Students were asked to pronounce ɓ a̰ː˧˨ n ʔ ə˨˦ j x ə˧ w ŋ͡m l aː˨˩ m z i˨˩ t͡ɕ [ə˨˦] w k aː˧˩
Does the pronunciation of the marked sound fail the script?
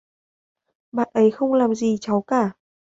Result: yes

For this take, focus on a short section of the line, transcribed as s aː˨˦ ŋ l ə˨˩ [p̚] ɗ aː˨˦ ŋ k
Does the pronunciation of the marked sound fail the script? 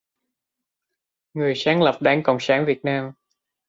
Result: no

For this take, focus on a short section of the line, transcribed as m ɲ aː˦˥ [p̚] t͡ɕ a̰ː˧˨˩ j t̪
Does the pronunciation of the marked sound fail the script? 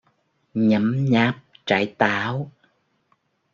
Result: no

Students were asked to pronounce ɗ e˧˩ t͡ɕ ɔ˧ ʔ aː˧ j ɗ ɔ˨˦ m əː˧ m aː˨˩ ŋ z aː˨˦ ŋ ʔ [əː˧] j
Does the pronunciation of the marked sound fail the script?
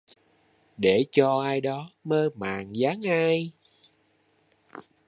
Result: yes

